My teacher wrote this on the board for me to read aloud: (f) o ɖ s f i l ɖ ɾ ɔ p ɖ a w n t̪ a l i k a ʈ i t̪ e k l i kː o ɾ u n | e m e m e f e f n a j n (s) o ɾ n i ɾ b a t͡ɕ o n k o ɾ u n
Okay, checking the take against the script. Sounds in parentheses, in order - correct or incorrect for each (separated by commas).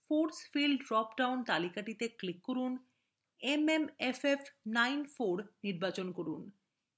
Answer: correct, incorrect